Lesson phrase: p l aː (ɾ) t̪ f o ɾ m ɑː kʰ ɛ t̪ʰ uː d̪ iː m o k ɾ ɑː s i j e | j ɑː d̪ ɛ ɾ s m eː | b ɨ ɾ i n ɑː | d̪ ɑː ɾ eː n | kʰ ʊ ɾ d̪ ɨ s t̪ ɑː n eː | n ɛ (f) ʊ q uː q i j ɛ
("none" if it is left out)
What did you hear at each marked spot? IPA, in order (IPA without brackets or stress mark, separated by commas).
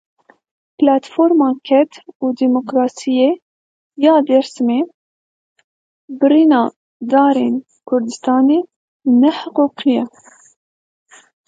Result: none, ħ